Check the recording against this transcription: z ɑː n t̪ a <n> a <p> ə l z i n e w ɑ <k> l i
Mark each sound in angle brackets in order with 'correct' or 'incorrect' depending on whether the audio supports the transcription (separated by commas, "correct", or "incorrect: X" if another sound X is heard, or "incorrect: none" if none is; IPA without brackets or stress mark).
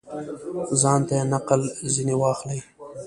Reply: correct, incorrect: q, incorrect: x